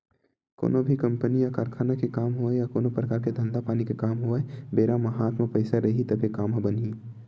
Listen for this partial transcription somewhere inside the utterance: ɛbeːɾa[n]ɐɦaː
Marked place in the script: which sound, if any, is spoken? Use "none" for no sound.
m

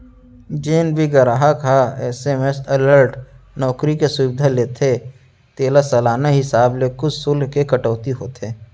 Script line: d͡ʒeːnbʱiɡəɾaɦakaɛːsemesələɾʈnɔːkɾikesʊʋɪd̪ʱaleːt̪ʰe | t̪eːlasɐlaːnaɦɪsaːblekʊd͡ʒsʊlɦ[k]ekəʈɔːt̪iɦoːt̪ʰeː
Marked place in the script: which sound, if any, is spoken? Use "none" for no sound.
k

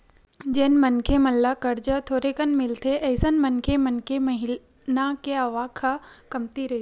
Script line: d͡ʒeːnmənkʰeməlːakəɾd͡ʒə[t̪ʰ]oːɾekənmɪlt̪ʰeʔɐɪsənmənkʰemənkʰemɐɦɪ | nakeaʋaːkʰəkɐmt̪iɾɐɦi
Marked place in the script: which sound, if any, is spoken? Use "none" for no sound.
t̪ʰ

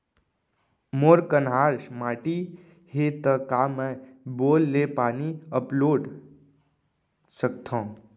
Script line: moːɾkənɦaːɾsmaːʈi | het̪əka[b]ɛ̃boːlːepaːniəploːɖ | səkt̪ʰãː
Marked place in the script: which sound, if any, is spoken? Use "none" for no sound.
m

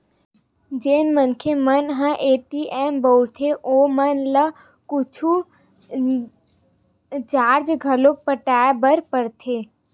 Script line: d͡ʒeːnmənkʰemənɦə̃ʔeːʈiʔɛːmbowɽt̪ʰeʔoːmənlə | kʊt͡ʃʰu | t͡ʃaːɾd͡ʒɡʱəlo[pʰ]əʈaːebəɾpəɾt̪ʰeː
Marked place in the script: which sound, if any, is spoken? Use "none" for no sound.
p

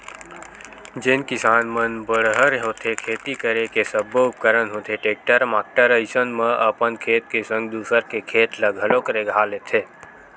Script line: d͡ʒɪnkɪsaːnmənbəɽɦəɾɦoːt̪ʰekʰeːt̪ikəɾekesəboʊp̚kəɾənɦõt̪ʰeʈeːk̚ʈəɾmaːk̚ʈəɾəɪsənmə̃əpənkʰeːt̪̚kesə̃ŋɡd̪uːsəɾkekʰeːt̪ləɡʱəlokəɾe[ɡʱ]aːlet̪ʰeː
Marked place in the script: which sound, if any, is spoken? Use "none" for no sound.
ɡʱ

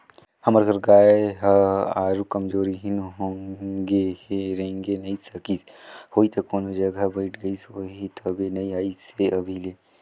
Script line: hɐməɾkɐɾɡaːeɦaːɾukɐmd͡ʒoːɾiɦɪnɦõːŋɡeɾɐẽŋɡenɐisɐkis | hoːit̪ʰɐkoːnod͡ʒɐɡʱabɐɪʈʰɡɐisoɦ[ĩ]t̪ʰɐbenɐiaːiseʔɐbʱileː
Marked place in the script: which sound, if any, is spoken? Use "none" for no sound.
i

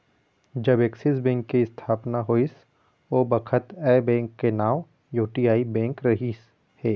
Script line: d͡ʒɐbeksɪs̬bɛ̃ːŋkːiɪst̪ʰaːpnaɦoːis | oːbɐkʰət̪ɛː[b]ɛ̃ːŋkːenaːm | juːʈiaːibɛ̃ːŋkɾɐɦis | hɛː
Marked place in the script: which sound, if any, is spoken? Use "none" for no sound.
b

